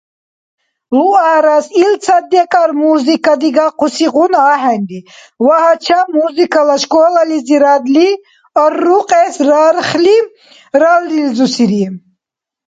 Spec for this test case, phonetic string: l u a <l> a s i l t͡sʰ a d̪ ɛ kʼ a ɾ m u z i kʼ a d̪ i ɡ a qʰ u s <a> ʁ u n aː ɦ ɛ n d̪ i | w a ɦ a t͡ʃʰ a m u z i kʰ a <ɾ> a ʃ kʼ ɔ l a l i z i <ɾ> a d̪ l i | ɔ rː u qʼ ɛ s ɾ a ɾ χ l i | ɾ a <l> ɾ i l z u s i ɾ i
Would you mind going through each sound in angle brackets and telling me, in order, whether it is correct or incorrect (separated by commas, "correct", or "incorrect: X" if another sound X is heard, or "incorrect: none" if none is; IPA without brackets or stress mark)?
incorrect: ɾ, incorrect: i, incorrect: l, correct, correct